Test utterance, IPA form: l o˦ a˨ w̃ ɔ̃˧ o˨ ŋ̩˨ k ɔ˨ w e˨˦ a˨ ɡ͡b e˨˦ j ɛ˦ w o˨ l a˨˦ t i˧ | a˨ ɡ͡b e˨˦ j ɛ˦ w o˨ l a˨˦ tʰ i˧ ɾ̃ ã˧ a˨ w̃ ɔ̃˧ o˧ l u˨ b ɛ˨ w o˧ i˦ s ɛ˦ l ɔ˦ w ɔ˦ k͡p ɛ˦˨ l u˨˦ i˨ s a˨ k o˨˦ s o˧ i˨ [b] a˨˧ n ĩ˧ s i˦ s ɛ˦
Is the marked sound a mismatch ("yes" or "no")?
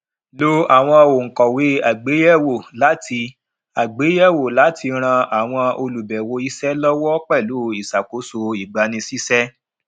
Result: yes